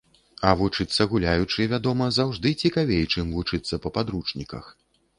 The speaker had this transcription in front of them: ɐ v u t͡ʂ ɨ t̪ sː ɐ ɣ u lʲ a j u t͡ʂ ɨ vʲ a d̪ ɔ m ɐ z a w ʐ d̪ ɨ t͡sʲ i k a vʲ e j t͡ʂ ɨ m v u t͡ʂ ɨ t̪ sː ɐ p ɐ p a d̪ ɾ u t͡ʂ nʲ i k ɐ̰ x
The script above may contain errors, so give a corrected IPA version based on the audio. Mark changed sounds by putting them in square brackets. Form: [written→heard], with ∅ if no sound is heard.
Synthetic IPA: ɐ v u t͡ʂ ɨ t̪ sː ɐ ɣ u lʲ a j u t͡ʂ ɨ vʲ a d̪ ɔ m ɐ z a w ʐ d̪ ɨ t͡sʲ i k a vʲ e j t͡ʂ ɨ m v u t͡ʂ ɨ t̪ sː ɐ p ɐ p a d̪ ɾ u t͡ʂ nʲ i k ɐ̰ x